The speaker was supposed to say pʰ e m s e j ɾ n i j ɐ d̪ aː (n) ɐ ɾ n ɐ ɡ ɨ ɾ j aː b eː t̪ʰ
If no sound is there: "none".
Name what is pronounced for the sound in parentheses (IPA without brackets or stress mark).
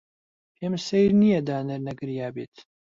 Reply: n